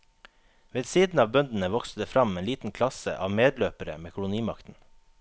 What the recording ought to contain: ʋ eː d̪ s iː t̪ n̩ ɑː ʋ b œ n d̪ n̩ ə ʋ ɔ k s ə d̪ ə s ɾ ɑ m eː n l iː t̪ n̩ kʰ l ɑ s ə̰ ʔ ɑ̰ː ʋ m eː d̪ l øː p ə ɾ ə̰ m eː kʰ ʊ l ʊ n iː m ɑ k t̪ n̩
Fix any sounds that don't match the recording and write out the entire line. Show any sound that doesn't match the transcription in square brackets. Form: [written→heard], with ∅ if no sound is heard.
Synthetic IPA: ʋ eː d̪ s iː [t̪→d̪] n̩ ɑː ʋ b œ n d̪ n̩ ə ʋ ɔ k s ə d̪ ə [s→f] ɾ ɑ m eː n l iː t̪ n̩ kʰ l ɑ s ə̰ ʔ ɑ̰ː ʋ m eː d̪ l øː p ə ɾ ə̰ m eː kʰ ʊ l ʊ n iː m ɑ k t̪ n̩